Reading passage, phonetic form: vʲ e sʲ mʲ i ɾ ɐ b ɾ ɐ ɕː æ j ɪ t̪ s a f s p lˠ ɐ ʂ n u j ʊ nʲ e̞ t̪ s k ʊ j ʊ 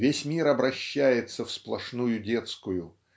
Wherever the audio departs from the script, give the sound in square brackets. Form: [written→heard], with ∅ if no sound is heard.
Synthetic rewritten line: vʲ e sʲ mʲ i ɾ ɐ b ɾ ɐ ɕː æ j ɪ t̪ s [a→ə] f s p lˠ ɐ ʂ n u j ʊ [nʲ→dʲ] e̞ t̪ s k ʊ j ʊ